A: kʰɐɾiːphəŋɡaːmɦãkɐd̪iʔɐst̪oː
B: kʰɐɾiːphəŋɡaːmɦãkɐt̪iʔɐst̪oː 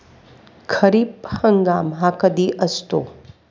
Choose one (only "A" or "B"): A